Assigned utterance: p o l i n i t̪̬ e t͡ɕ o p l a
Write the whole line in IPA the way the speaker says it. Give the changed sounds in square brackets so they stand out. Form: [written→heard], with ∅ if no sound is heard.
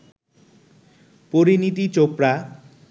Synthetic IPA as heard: p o [l→ɾ] i n i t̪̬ [e→i] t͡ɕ o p [l→ɾ] a